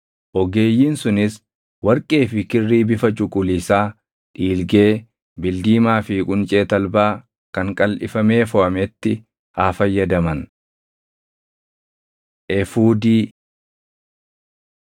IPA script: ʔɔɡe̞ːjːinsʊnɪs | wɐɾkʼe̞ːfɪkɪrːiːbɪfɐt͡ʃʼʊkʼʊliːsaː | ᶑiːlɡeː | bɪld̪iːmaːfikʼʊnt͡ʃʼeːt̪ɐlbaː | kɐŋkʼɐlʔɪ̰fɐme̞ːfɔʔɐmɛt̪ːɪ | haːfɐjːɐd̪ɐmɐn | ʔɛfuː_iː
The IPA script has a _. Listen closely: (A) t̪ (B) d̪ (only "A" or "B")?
B